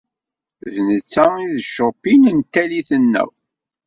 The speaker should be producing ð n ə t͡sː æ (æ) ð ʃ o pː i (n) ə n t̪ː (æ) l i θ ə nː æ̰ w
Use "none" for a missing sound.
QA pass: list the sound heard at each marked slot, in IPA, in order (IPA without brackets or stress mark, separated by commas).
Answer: i, n, æ